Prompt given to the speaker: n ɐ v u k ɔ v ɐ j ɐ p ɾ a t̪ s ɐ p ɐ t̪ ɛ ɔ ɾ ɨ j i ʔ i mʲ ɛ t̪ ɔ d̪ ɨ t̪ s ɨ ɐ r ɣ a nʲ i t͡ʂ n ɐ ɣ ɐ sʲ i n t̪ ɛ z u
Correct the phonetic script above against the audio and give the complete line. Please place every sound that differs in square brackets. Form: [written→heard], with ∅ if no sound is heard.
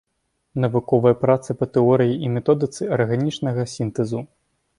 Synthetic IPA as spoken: n ɐ v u k ɔ v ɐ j ɐ p ɾ a t̪ s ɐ p ɐ t̪ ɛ ɔ ɾ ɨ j i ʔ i mʲ ɛ t̪ ɔ d̪ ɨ t̪ s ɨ ɐ r ɣ a nʲ i t͡ʂ n ɐ ɣ ɐ sʲ i n t̪ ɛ z u

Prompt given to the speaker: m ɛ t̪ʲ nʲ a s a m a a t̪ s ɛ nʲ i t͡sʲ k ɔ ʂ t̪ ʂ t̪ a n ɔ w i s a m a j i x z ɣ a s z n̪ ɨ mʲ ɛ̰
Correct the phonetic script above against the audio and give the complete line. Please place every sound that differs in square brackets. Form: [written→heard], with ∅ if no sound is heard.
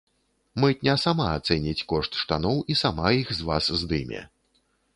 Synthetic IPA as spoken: m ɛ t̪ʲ nʲ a s a m a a t̪ s ɛ nʲ i t͡sʲ k ɔ ʂ t̪ ʂ t̪ a n ɔ w i s a m a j i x z [ɣ→v] a s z [n̪→d̪] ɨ mʲ ɛ̰

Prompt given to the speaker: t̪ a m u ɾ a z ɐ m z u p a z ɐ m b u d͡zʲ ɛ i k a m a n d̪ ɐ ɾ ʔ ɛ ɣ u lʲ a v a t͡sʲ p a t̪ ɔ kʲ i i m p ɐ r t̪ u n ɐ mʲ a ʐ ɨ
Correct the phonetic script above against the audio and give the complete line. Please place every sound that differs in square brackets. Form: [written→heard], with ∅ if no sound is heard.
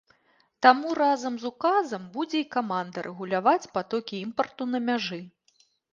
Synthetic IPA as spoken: t̪ a m u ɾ a z ɐ m z u [p→k] a z ɐ m b u d͡zʲ ɛ i k a m a n d̪ ɐ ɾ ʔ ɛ ɣ u lʲ a v a t͡sʲ p a t̪ ɔ kʲ i i m p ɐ r t̪ u n ɐ mʲ a ʐ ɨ

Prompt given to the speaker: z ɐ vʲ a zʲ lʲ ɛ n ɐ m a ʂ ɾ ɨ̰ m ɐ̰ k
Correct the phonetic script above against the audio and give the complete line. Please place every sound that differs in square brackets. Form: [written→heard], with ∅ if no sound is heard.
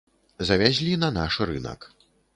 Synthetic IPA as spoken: z ɐ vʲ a zʲ lʲ [ɛ→i] n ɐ [m→n] a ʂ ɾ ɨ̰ [m→n] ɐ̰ k

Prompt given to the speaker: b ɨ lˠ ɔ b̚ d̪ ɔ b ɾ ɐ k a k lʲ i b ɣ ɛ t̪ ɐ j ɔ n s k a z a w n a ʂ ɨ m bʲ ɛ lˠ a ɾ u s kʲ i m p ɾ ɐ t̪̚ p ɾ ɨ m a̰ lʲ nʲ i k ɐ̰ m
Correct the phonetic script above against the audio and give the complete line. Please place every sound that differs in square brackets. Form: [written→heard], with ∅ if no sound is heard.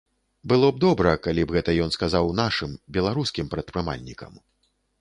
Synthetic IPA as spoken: b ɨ lˠ ɔ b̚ d̪ ɔ b ɾ ɐ k a [k→∅] lʲ i b ɣ ɛ t̪ ɐ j ɔ n s k a z a w n a ʂ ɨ m bʲ ɛ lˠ a ɾ u s kʲ i m p ɾ ɐ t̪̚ p ɾ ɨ m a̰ lʲ nʲ i k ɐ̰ m

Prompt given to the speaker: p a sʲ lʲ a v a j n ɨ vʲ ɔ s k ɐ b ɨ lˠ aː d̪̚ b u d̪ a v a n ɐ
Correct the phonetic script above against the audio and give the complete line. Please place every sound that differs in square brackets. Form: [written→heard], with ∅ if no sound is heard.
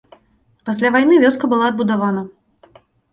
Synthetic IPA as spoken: p a sʲ lʲ a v a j n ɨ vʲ ɔ s k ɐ b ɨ lˠ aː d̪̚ b u d̪ a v a n ɐ

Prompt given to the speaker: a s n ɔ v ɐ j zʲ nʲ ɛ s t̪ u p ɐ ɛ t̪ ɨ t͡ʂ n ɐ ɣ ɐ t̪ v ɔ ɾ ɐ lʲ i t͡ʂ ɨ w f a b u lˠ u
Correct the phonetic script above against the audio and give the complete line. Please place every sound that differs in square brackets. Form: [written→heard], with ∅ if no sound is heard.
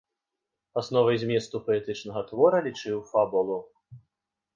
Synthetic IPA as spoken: a s n ɔ v ɐ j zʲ [nʲ→mʲ] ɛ s t̪ u p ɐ ɛ t̪ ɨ t͡ʂ n ɐ ɣ ɐ t̪ v ɔ ɾ ɐ lʲ i t͡ʂ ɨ w f a b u lˠ u

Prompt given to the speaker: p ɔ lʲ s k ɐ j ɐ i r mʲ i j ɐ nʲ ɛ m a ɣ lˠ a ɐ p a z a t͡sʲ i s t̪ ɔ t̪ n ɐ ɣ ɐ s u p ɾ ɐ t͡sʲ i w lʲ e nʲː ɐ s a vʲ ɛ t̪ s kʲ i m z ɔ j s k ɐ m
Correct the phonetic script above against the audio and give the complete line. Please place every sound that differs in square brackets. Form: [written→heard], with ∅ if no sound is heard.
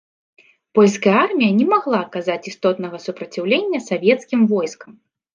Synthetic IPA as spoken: p ɔ lʲ s k ɐ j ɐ [i→a] r mʲ i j ɐ nʲ ɛ m a ɣ lˠ a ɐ [p→k] a z a t͡sʲ i s t̪ ɔ t̪ n ɐ ɣ ɐ s u p ɾ ɐ t͡sʲ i w lʲ e nʲː ɐ s a vʲ ɛ t̪ s kʲ i m [z→v] ɔ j s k ɐ m

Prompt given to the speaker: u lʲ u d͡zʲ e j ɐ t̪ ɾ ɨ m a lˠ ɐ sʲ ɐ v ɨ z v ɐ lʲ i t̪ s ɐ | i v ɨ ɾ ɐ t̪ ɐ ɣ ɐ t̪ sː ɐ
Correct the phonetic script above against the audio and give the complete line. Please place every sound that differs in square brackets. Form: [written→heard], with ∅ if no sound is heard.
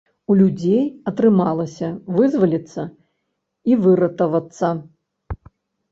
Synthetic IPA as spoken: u lʲ u d͡zʲ e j ɐ t̪ ɾ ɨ m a lˠ ɐ sʲ ɐ v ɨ z v ɐ lʲ i t̪ [s→sː] ɐ | i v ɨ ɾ ɐ t̪ ɐ [ɣ→v] ɐ t̪ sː ɐ

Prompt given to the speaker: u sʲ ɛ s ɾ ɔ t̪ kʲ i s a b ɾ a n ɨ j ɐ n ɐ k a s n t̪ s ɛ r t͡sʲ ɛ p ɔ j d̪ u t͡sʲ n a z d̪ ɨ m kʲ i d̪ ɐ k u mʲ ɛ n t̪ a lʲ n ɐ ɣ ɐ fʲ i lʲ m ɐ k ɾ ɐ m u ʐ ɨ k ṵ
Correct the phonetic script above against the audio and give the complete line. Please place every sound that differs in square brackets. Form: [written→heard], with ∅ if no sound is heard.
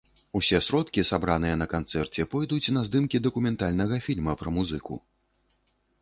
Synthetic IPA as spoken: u sʲ ɛ s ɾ ɔ t̪ kʲ i s a b ɾ a n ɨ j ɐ n ɐ k a [s→∅] n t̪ s ɛ r t͡sʲ ɛ p ɔ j d̪ u t͡sʲ n [a→ɐ] z d̪ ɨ m kʲ i d̪ ɐ k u mʲ ɛ n t̪ a lʲ n ɐ ɣ ɐ fʲ i lʲ m ɐ [k→p] ɾ ɐ m u [ʐ→z] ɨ k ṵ

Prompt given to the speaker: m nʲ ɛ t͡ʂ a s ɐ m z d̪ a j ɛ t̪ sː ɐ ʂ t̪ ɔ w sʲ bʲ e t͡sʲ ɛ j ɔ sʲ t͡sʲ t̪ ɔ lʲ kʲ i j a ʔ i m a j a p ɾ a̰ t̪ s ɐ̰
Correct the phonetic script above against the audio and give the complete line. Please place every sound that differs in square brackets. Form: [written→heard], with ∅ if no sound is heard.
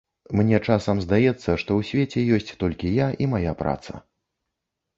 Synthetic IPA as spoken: m nʲ ɛ t͡ʂ a s ɐ m z d̪ a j ɛ t̪ sː ɐ ʂ t̪ ɔ w sʲ [bʲ→vʲ] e t͡sʲ ɛ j ɔ sʲ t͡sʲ t̪ ɔ lʲ kʲ i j a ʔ i m a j a p ɾ a̰ t̪ s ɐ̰

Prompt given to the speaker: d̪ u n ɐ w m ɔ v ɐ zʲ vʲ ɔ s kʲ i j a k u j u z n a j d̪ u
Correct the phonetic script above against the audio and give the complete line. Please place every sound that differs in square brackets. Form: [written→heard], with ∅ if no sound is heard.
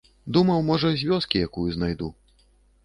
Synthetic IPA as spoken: d̪ u [n→m] ɐ w m ɔ [v→ʐ] ɐ zʲ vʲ ɔ s kʲ i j a k u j u z n a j d̪ u

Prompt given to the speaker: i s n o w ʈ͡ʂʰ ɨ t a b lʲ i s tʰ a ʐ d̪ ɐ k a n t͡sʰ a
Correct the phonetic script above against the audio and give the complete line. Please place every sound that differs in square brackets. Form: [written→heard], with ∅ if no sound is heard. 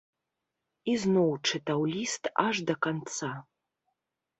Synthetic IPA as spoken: i [s→z] n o w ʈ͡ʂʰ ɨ t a [b→w] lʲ i s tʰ a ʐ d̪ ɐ k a n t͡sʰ a

